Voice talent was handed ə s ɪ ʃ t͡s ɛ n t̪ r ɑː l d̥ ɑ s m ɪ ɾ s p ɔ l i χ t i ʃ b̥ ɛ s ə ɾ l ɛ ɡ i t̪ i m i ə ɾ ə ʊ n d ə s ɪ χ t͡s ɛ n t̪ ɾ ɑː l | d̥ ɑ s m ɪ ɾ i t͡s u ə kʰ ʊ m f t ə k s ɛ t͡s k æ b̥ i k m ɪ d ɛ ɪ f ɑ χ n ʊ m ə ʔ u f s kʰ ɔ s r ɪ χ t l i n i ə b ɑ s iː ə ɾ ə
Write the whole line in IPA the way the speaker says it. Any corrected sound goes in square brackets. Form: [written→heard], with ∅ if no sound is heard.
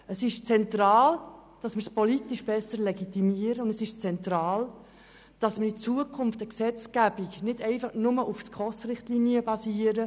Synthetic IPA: ə s ɪ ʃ t͡s ɛ n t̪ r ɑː l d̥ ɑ s m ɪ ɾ s p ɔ l i [χ→∅] t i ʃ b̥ ɛ s ə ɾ l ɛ ɡ i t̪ i m i ə ɾ ə ʊ n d ə s ɪ [χ→ʃ] t͡s ɛ n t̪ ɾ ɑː l | d̥ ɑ s m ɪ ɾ i t͡s u ə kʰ ʊ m f t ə k s ɛ t͡s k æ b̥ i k [m→n] ɪ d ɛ ɪ f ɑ χ n ʊ m ə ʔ u f s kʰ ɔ s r ɪ χ t l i n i ə b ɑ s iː ə ɾ ə

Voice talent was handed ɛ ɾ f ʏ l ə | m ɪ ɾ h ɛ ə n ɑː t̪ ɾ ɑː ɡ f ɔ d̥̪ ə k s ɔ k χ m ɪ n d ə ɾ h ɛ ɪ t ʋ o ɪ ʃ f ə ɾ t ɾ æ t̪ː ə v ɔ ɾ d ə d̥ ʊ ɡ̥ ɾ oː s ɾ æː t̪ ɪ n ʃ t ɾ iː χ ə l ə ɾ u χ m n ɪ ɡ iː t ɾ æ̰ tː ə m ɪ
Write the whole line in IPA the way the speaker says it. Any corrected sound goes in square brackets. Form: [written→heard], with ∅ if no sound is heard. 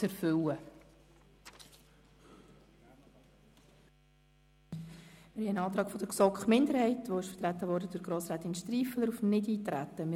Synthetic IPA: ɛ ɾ f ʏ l ə | m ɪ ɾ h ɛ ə n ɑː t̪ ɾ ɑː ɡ f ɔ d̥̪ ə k s ɔ k χ m ɪ n d ə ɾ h ɛ ɪ t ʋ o ɪ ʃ f ə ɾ t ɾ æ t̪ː ə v ɔ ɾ d ə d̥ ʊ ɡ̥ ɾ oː s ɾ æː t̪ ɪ n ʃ t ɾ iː [χ→f] ə l ə ɾ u [χ→f] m n ɪ [ɡ→d] iː t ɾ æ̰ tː ə m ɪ

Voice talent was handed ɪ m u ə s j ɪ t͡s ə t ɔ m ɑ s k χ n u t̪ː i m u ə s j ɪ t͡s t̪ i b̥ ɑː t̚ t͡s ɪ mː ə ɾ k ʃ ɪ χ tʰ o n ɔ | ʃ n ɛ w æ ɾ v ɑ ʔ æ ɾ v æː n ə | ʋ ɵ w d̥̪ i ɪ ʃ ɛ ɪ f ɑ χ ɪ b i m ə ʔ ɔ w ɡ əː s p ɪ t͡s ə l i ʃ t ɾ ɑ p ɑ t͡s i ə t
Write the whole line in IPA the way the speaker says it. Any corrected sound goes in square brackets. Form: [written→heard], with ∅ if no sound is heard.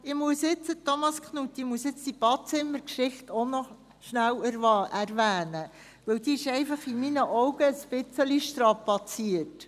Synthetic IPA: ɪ m u ə s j ɪ t͡s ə t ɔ m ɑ s k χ n u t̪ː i m u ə s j ɪ t͡s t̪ i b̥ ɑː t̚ t͡s ɪ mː ə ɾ k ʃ ɪ χ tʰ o n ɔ | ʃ n [ɛ→æ] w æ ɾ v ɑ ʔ æ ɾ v æː n ə | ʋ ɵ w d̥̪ i ɪ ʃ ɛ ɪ f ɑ χ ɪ [b→m] i [m→n] ə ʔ ɔ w ɡ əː s p ɪ t͡s ə l i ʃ t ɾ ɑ p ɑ t͡s i ə t

